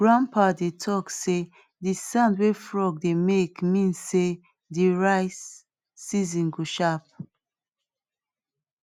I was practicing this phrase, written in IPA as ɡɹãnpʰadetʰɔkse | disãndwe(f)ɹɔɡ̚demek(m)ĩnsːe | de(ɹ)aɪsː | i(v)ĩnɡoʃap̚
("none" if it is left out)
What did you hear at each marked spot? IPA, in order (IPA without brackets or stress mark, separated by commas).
f, m, ɹ, z